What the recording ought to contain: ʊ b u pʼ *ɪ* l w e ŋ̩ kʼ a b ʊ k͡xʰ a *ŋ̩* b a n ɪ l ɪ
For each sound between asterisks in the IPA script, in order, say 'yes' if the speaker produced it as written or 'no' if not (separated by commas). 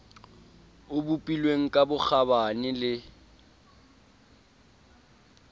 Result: no, no